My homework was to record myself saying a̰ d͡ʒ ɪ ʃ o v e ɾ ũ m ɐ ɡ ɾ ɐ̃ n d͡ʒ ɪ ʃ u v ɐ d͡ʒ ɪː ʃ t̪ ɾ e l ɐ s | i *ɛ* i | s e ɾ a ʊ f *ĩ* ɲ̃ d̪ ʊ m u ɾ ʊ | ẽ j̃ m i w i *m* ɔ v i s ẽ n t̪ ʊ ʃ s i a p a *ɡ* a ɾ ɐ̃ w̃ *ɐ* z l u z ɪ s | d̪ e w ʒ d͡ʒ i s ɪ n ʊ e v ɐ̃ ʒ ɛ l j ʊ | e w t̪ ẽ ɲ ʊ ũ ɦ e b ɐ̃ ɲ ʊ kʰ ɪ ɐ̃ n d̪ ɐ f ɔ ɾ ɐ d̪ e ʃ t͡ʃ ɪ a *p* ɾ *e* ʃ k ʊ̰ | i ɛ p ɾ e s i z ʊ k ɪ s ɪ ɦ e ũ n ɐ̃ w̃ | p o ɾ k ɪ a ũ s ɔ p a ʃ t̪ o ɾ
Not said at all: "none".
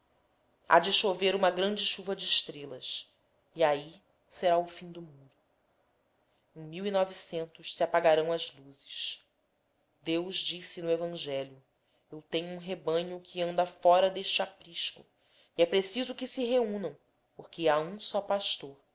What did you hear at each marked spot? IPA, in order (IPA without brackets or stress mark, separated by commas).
a, ĩ, n, ɡ, ɐ, p, i